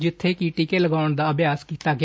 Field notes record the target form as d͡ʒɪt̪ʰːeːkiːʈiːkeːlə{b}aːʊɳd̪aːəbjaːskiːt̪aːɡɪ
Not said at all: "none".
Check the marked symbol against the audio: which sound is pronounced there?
ɡ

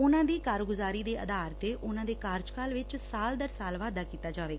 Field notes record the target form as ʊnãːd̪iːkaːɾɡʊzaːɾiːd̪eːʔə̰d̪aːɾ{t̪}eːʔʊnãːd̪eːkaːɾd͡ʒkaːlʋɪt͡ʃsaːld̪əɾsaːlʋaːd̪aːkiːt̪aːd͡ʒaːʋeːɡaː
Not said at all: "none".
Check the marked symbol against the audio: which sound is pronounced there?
t̪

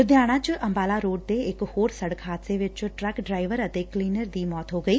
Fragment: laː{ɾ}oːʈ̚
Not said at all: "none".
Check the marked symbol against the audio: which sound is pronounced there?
ɾ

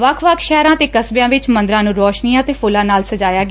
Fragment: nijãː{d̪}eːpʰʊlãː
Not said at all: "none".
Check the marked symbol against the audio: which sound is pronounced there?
t̪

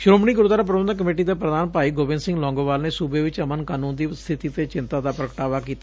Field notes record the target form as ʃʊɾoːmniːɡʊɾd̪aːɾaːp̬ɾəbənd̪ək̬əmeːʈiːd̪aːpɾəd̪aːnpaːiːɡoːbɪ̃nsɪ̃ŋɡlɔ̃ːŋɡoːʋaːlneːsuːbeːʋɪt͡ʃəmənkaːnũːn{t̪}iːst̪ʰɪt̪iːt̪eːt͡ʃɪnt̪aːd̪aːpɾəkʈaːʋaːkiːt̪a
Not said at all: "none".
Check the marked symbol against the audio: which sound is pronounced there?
d̪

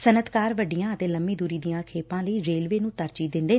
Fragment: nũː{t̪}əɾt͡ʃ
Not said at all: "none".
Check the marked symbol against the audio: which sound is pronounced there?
t̪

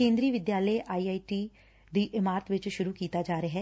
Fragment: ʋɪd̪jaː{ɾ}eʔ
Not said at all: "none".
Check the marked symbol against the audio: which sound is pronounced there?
l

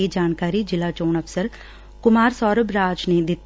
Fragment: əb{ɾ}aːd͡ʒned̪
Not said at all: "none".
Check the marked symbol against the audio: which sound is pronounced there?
ɾ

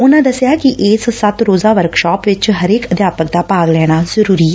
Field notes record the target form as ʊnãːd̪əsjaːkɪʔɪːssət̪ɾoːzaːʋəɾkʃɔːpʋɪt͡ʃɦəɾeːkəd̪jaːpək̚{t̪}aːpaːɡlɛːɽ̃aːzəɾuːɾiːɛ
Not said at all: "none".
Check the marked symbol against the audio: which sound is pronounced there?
d̪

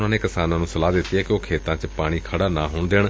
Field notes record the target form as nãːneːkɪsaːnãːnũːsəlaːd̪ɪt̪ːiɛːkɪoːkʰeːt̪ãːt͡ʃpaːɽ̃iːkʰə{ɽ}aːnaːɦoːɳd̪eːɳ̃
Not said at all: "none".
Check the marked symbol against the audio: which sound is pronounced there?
ɽ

